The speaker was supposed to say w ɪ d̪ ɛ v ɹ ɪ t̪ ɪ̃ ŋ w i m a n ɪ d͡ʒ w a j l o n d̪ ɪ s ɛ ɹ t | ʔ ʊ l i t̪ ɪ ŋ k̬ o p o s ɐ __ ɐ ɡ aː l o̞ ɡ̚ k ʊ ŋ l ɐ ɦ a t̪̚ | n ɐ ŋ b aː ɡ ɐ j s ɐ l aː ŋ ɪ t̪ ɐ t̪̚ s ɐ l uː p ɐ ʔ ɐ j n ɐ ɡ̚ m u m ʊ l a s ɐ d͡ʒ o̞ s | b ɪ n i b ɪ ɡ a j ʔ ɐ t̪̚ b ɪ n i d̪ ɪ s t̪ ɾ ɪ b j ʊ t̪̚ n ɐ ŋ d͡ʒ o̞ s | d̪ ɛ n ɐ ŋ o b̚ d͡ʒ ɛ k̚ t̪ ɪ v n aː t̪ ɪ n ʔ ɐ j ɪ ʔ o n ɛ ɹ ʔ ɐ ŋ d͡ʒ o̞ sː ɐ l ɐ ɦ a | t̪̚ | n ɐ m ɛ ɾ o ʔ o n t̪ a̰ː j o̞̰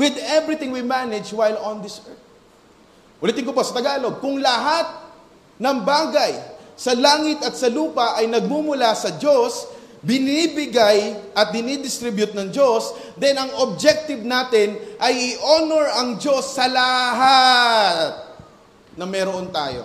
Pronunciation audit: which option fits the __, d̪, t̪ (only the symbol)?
t̪